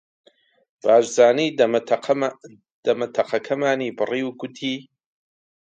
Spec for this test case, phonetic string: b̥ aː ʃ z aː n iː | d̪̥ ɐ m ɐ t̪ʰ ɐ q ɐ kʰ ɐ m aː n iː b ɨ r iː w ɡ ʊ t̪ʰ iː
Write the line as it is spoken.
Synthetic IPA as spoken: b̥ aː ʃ z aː n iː | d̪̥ ɐ m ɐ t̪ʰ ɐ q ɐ kʰ ɐ m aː n iː b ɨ r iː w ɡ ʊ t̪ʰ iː